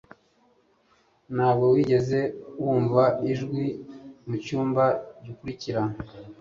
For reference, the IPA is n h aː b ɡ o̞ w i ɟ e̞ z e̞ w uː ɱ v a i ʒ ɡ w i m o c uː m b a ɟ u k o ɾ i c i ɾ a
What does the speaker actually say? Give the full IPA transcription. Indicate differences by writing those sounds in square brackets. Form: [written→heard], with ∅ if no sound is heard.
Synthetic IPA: n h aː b ɡ o̞ w i ɟ e̞ z e̞ w uː ɱ v a i ʒ ɡ w i m [o→u] c uː m b a ɟ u k [o→u] ɾ i c i ɾ a